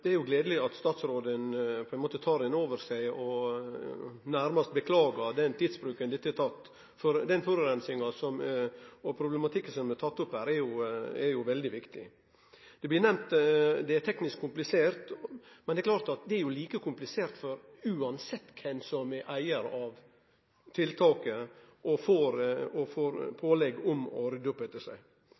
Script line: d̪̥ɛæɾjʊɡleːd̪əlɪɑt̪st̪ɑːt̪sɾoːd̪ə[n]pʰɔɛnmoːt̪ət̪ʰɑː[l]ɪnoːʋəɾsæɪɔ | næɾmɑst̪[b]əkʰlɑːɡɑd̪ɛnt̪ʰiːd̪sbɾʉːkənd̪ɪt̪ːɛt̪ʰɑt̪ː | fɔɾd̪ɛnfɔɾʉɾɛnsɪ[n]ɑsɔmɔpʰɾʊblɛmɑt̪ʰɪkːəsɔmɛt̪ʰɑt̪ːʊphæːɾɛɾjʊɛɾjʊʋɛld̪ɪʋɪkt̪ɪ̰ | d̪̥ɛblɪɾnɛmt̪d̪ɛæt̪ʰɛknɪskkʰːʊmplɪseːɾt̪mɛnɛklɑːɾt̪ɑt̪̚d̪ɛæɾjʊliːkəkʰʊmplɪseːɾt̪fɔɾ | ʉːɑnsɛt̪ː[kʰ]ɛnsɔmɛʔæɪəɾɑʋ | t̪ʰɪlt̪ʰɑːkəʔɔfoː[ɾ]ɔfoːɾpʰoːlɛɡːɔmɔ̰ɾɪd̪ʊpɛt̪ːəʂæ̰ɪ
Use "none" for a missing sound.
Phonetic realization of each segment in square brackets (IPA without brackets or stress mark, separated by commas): n, ɾ, b, ŋ, kʰ, ɾ